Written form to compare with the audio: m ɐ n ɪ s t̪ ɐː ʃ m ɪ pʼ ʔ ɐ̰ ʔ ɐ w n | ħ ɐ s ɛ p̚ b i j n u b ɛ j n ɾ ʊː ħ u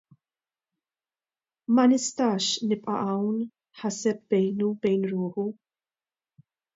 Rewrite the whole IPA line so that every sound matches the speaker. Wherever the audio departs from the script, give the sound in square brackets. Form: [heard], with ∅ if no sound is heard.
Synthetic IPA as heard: m ɐ n ɪ s t̪ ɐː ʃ [n] ɪ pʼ ʔ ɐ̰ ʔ ɐ w n | ħ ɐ s ɛ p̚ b [ɛ] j n u b ɛ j n ɾ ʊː ħ u